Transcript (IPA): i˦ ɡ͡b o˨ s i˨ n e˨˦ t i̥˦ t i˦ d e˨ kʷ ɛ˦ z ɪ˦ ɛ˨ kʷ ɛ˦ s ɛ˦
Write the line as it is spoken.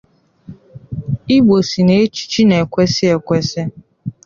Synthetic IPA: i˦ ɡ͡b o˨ s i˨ n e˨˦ t͡ʃ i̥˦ t͡ʃ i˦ n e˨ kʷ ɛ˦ s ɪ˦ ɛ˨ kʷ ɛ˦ s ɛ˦